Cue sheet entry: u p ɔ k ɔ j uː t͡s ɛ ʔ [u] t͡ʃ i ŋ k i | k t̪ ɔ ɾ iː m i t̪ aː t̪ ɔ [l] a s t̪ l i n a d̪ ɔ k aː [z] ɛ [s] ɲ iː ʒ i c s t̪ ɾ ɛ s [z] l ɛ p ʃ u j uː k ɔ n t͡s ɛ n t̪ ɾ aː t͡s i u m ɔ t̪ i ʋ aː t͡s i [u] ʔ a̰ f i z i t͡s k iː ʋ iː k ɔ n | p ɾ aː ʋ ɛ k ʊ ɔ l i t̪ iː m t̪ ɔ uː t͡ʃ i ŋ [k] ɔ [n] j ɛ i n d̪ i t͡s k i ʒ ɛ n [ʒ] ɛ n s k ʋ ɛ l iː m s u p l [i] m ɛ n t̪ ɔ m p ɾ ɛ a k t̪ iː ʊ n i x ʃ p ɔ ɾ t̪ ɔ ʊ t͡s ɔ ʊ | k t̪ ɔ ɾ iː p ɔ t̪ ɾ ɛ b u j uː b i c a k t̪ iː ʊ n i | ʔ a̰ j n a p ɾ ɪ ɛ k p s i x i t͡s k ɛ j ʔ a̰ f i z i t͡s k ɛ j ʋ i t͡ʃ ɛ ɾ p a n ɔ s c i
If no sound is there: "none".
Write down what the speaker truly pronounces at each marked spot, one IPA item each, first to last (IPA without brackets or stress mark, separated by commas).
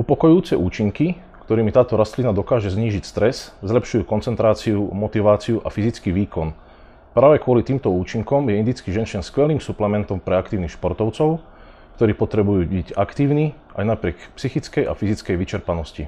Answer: uː, ɾ, ʒ, z, z, u, k, m, ʃ, ɛ